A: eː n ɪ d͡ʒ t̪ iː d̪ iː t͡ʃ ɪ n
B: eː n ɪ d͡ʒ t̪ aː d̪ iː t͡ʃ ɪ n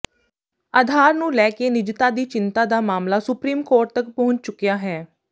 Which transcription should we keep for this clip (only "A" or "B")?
B